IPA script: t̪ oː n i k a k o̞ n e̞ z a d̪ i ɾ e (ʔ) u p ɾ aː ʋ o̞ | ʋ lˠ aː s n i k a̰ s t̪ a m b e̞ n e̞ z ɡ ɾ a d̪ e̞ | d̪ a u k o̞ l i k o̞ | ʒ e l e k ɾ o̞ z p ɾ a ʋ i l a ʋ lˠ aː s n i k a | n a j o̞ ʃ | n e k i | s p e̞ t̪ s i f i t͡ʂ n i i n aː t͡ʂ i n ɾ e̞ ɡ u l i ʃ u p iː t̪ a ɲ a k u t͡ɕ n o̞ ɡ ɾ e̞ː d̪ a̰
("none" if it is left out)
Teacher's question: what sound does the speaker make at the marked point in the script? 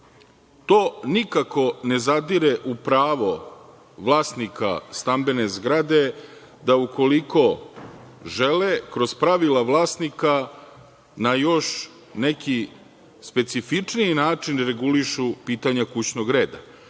ʔ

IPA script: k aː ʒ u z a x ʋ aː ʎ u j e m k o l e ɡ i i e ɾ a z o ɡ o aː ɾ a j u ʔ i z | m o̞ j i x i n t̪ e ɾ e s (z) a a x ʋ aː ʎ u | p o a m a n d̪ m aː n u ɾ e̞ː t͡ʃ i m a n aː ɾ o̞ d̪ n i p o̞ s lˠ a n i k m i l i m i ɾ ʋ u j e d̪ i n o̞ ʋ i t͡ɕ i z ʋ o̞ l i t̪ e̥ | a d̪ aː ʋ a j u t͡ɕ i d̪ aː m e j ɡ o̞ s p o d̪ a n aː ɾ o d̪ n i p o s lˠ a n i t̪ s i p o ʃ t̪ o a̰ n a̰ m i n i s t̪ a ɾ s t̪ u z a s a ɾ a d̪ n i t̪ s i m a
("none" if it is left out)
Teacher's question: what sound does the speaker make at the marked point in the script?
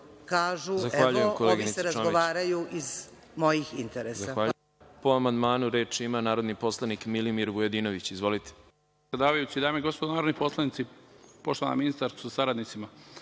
z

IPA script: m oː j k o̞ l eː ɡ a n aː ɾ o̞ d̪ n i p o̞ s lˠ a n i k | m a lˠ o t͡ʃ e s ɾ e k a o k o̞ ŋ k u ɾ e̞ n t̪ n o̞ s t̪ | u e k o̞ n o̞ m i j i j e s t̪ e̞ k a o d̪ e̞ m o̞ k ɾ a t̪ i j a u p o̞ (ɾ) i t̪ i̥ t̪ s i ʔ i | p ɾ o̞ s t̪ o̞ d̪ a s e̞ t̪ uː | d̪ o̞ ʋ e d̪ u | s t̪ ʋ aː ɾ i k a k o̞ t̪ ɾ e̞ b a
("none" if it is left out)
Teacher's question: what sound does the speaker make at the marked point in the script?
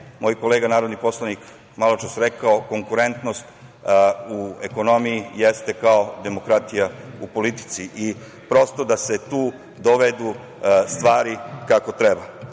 l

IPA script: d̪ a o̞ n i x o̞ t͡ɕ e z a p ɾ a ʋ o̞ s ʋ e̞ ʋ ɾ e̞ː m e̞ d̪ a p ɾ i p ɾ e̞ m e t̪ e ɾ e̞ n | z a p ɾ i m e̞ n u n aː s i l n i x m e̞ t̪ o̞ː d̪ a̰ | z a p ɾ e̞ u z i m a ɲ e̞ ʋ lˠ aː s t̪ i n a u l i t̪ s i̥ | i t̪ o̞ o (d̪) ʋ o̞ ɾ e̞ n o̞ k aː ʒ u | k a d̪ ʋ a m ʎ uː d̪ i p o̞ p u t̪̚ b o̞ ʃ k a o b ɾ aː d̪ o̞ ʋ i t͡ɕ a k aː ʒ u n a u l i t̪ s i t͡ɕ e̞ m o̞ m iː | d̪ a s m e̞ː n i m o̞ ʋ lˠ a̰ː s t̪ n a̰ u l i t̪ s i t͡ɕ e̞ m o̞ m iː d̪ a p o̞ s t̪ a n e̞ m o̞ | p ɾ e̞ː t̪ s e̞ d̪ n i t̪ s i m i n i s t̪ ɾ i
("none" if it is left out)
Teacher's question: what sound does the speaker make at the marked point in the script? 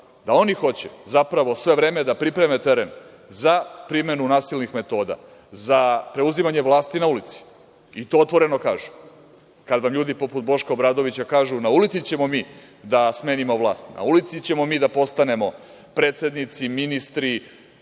t̪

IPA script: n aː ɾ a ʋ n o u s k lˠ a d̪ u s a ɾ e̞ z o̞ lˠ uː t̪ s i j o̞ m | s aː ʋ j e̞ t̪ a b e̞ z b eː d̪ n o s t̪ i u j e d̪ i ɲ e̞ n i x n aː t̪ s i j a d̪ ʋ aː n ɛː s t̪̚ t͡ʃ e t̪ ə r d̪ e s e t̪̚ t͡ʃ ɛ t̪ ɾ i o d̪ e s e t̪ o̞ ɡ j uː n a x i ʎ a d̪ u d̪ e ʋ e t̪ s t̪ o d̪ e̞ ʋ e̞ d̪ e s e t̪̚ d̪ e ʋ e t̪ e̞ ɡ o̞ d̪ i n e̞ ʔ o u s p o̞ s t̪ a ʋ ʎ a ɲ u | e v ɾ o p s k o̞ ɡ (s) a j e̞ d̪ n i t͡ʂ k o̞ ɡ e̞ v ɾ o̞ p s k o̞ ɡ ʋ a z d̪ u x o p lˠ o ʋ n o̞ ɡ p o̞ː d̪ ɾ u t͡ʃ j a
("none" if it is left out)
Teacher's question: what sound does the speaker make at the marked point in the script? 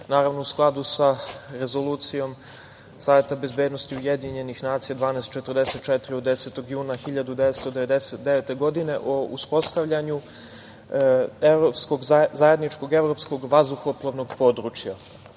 z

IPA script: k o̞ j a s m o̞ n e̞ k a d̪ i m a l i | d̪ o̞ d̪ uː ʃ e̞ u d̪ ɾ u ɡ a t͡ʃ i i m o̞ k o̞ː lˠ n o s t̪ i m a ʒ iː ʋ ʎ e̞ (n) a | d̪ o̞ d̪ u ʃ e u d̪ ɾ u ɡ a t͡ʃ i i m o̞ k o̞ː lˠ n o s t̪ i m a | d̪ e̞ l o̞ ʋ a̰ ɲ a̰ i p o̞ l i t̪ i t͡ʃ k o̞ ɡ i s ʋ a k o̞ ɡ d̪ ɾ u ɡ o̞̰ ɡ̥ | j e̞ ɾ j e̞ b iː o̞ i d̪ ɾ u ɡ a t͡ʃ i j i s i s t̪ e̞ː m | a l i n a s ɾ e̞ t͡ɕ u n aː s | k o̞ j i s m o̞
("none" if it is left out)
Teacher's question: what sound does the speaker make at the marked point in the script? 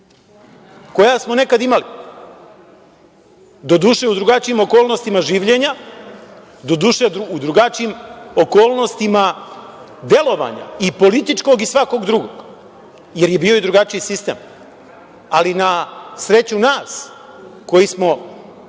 ɲ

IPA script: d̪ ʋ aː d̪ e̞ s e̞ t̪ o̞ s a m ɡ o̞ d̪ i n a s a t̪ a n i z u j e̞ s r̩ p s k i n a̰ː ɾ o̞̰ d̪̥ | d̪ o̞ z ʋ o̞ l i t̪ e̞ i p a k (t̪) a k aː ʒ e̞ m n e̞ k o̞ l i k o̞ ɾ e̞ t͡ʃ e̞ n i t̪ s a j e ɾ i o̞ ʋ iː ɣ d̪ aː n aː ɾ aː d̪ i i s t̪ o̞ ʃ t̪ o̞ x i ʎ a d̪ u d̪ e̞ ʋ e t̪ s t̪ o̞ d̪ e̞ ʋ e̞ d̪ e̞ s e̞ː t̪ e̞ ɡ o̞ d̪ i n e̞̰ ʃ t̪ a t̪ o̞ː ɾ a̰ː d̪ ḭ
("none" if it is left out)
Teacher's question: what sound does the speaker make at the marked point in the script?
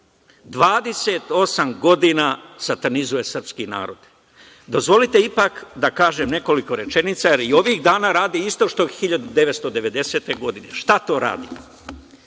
d̪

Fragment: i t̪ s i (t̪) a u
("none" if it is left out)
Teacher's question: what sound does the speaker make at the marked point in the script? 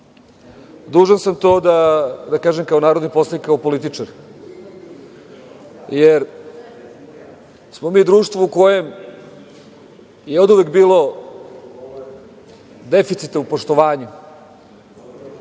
t̪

